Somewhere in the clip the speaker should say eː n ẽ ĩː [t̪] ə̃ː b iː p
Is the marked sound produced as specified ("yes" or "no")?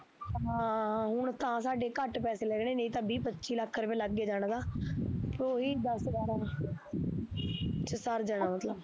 yes